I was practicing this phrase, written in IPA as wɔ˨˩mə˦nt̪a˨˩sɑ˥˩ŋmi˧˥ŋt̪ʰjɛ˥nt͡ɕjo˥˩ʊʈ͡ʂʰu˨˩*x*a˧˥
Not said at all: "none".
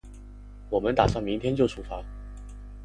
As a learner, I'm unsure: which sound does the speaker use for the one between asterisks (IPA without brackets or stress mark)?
f